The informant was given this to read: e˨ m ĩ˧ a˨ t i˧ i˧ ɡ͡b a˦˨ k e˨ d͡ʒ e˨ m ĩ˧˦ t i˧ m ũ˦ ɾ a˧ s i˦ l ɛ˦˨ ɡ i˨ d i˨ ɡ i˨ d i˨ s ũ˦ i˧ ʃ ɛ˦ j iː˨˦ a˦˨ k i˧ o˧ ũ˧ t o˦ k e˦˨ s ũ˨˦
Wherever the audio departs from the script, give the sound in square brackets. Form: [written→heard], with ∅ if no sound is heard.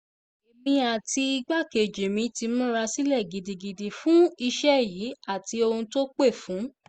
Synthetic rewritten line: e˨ m ĩ˧ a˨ t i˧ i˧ ɡ͡b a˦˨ k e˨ d͡ʒ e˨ m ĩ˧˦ t i˧ m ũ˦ ɾ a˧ s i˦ l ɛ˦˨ ɡ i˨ d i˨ ɡ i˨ d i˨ [s→f] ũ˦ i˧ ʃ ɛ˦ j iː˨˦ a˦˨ [k→t] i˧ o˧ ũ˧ t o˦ [k→k͡p] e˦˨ [s→f] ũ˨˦